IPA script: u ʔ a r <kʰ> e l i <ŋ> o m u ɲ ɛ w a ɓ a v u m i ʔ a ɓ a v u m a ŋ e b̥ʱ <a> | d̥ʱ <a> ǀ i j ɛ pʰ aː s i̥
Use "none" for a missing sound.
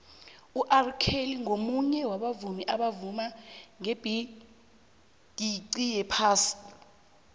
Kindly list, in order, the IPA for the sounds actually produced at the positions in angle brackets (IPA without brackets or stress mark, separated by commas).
kʰ, ŋ, i, i